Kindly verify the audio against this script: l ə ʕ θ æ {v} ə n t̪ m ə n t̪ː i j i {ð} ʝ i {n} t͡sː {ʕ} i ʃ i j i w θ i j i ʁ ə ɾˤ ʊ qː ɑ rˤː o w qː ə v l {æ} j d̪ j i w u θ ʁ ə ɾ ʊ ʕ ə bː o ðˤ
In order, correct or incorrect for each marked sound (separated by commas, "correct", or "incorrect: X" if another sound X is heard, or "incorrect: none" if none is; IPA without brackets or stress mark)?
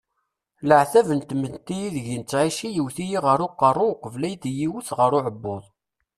correct, correct, correct, correct, correct